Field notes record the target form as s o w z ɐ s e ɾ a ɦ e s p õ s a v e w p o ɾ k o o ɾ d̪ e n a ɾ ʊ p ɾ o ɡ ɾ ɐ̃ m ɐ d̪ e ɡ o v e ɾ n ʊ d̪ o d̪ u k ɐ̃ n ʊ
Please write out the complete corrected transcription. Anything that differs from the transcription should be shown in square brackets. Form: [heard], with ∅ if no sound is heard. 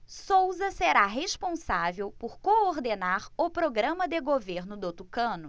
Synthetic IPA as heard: s o w z ɐ s e ɾ a ɦ e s p õ s a v e w p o ɾ k o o ɾ d̪ e n a ɾ ʊ p ɾ o ɡ ɾ ɐ̃ m ɐ d̪ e ɡ o v e ɾ n ʊ d̪ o [t̪] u k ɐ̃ n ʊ